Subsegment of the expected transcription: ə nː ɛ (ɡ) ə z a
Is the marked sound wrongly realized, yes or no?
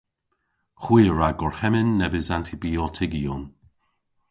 yes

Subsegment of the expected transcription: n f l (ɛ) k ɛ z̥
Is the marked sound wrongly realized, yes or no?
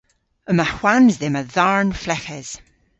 no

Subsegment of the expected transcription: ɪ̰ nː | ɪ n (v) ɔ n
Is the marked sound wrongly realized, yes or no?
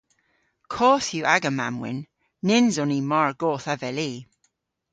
yes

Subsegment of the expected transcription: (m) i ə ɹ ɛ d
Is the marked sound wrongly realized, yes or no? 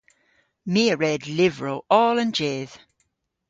no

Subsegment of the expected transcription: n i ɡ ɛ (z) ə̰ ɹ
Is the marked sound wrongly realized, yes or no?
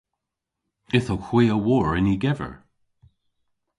yes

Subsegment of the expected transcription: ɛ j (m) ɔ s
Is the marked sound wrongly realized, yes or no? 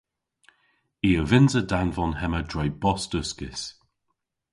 yes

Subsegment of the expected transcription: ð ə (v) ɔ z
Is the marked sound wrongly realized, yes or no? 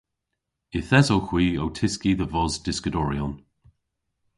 no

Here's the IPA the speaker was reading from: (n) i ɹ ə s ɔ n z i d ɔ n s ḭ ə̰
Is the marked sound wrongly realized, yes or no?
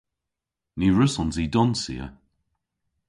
no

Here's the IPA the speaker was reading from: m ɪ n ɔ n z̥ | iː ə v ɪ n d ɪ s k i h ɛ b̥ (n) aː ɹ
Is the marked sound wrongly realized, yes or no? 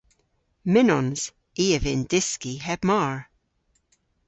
yes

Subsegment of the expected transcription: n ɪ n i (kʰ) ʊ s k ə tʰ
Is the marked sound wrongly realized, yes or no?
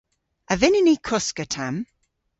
no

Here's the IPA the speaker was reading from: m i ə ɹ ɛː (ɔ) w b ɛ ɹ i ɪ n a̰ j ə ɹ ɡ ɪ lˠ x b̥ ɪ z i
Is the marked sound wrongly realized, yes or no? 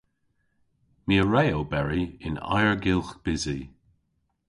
yes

